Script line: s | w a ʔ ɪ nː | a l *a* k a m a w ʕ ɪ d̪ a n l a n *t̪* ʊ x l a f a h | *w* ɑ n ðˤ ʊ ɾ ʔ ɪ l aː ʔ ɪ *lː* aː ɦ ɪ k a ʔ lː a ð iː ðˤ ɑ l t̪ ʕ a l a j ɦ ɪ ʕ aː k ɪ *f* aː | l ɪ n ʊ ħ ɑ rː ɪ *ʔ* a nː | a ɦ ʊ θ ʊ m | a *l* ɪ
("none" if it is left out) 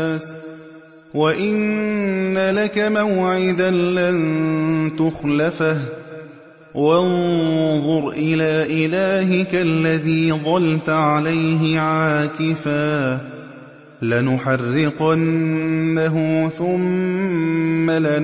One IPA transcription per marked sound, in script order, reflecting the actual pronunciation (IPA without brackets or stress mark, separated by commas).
a, t̪, w, l, f, q, l